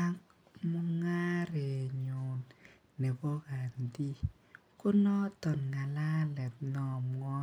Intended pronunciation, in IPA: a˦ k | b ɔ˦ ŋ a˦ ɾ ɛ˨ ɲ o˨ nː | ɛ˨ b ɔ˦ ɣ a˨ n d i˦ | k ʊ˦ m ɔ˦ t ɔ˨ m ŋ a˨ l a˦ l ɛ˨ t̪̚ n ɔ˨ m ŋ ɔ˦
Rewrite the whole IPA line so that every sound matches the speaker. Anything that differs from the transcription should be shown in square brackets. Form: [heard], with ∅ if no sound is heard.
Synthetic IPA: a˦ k | [m] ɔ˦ ŋ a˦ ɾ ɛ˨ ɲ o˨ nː | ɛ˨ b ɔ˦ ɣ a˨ n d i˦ | k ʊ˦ [n] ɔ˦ t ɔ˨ [n] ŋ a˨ l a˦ l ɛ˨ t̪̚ n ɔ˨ m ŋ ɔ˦